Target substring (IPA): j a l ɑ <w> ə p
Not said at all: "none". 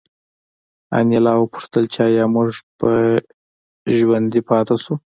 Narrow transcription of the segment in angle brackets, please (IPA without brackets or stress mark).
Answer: w